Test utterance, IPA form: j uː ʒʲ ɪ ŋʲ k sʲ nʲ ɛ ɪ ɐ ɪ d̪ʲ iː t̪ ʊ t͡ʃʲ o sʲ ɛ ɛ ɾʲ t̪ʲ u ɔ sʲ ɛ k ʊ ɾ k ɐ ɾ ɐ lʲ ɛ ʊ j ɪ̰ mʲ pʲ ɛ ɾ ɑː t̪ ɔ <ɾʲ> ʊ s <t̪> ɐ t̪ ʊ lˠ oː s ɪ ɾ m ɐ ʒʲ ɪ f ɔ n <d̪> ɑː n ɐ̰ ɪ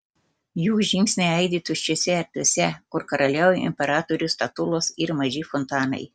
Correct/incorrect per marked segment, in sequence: correct, correct, incorrect

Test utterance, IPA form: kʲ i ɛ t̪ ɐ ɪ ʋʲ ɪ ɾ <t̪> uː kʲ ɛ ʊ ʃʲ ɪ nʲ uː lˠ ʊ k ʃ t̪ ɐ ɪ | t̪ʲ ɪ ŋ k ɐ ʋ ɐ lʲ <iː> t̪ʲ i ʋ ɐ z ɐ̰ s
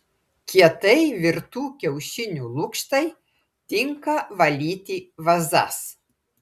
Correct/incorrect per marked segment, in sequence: correct, correct

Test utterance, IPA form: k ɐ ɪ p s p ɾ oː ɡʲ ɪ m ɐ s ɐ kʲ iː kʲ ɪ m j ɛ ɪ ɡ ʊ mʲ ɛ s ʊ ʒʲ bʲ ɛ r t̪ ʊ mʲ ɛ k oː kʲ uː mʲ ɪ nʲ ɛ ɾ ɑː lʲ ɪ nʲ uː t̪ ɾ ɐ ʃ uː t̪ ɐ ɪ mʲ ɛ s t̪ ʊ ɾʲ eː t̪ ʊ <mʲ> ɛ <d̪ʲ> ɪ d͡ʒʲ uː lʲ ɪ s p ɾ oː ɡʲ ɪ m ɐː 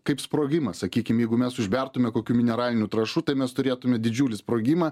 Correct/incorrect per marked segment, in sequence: correct, correct

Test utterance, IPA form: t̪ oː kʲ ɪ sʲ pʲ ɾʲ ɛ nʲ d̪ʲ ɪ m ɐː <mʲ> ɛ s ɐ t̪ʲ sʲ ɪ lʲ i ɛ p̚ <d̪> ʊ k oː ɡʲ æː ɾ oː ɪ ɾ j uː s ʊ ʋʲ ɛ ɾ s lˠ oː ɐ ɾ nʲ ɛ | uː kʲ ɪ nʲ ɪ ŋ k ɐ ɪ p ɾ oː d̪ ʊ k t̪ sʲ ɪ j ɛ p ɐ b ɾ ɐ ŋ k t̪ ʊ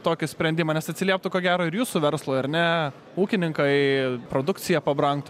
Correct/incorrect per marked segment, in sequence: incorrect, incorrect

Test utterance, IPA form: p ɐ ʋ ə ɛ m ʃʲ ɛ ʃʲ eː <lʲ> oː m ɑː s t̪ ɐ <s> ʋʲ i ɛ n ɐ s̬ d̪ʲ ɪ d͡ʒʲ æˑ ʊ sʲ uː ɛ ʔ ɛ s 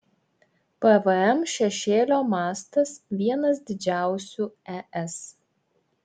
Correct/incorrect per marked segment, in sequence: correct, correct

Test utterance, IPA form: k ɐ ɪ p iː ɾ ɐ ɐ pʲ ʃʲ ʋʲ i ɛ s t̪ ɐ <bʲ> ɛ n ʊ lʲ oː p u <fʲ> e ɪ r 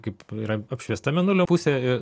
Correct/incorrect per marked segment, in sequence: incorrect, incorrect

